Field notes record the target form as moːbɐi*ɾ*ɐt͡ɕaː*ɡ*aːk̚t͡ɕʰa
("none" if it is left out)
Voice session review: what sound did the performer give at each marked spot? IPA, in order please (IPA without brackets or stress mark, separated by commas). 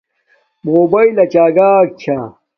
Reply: l, ɡ